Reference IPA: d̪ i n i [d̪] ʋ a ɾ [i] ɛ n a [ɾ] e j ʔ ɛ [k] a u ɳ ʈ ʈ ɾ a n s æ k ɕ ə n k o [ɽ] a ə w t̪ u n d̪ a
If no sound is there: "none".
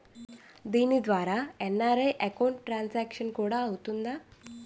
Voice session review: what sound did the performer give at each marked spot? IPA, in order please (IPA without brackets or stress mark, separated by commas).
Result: d̪, a, ɾ, k, ɽ